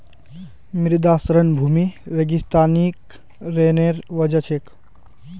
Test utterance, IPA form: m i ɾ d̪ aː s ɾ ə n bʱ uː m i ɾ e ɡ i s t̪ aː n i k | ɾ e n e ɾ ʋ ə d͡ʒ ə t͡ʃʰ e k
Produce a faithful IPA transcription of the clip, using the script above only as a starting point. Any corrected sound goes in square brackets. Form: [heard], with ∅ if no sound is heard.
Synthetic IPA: m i ɾ d̪ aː s ɾ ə n bʱ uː m i ɾ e ɡ i s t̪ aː n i k | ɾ e n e ɾ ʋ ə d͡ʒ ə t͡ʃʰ e k

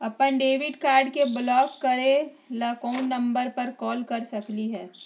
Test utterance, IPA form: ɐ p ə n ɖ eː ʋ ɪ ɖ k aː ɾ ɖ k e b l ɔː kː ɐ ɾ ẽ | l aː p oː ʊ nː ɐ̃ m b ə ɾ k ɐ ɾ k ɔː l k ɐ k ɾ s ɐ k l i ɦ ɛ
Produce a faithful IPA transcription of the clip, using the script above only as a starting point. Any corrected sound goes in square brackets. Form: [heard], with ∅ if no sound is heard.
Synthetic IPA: ɐ p ə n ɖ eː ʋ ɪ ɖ k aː ɾ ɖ k e b l ɔː kː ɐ ɾ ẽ | l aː [k] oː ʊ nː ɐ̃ m b ə ɾ [p] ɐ ɾ k ɔː l k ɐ [∅] ɾ s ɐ k l i ɦ [ɛː]

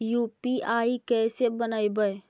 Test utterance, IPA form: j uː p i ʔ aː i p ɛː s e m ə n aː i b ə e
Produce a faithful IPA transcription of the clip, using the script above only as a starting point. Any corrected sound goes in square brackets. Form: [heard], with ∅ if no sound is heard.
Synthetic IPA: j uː p i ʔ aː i [k] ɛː s e [b] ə n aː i b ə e

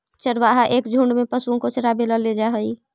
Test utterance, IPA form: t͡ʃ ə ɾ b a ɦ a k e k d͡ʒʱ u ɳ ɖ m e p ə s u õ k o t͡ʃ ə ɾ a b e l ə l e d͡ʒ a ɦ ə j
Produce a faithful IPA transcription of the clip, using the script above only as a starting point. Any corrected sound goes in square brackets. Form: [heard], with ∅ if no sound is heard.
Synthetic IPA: t͡ʃ ə ɾ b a ɦ a [ʔ] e k d͡ʒʱ u ɳ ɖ m e p ə s u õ k o t͡ʃ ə ɾ a b e l ə l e d͡ʒ a ɦ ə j

